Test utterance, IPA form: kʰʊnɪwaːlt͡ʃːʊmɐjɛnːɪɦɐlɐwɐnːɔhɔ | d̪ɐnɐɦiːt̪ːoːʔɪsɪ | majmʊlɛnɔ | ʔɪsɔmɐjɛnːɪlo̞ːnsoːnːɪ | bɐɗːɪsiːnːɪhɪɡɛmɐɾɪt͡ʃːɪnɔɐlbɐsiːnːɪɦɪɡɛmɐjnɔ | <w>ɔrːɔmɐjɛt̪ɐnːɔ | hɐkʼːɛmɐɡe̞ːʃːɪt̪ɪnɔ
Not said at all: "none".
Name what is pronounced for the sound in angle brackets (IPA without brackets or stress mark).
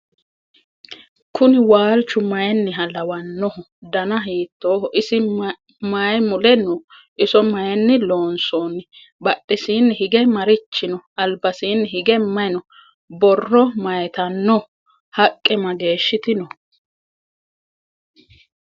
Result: b